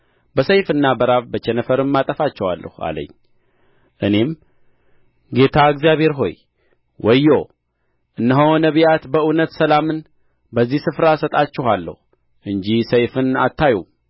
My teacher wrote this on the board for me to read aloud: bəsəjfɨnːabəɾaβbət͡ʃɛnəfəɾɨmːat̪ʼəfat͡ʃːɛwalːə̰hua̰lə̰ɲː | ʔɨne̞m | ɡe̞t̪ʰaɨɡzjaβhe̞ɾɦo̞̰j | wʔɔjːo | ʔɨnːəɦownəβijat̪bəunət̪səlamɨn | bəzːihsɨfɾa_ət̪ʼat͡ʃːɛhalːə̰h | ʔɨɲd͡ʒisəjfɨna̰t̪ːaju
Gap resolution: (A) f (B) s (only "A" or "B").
B